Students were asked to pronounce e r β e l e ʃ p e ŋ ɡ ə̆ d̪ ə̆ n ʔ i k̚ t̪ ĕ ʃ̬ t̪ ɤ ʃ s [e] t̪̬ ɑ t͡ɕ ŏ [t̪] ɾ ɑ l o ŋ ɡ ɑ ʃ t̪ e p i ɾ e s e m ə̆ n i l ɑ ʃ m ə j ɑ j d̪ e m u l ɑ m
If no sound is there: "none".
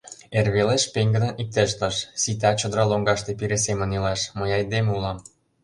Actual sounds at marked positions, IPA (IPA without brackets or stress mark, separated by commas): i, d̪